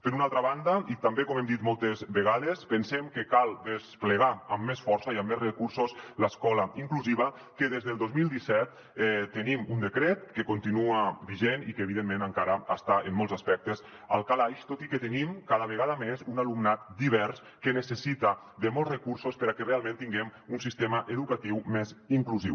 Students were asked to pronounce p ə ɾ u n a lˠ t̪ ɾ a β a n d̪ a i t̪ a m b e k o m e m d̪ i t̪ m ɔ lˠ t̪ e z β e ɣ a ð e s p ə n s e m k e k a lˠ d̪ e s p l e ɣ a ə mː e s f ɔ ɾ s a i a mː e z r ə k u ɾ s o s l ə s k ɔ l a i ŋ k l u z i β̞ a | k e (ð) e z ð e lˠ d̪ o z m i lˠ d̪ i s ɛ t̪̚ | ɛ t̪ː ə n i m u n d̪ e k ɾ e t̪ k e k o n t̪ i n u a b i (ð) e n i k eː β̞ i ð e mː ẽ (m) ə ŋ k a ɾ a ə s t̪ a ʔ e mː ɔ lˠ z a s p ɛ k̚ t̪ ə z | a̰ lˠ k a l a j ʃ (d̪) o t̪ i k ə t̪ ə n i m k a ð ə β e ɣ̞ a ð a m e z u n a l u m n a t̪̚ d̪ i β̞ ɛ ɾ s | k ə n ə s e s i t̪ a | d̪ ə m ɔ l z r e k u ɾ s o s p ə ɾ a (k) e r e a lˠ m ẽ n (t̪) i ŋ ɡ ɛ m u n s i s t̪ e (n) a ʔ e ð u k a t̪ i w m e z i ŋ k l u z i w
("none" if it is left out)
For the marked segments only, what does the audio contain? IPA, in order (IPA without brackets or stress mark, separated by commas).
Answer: ð, ʒ, n, t̪, k, t̪, m